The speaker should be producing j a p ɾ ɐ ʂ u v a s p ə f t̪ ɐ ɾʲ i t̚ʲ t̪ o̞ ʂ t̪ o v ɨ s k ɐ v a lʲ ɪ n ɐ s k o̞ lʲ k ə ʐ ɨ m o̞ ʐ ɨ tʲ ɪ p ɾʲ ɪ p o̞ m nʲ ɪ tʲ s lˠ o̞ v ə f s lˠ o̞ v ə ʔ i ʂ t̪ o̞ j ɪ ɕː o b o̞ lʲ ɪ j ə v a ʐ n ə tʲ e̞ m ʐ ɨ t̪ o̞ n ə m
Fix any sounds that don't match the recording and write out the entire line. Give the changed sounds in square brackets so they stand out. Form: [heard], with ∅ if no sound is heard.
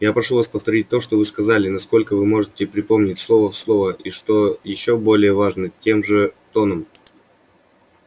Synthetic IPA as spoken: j a p ɾ ɐ ʂ u v a s p ə f t̪ ɐ ɾʲ i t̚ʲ t̪ o̞ ʂ t̪ o v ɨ s k ɐ [z] a lʲ ɪ n ɐ s k o̞ lʲ k ə [v] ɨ m o̞ ʐ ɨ tʲ ɪ p ɾʲ ɪ p o̞ m nʲ ɪ tʲ s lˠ o̞ v ə f s lˠ o̞ v ə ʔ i ʂ t̪ o̞ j ɪ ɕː o b o̞ lʲ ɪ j ə v a ʐ n ə tʲ e̞ m ʐ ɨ t̪ o̞ n ə m